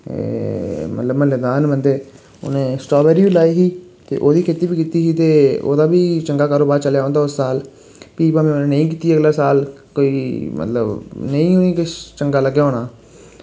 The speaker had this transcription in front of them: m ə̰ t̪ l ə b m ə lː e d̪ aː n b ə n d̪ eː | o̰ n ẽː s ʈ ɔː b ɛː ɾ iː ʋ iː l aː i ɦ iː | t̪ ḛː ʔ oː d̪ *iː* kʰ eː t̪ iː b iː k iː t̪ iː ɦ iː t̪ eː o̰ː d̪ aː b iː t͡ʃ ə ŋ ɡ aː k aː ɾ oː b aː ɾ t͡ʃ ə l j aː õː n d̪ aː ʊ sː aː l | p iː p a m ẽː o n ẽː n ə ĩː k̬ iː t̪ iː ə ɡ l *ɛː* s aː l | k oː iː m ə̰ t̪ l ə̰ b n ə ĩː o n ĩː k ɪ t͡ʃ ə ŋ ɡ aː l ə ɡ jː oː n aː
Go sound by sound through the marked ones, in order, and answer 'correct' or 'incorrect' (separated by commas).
correct, incorrect